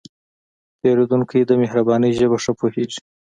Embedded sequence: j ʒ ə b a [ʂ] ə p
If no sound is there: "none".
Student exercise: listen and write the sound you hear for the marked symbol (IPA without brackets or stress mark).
ʂ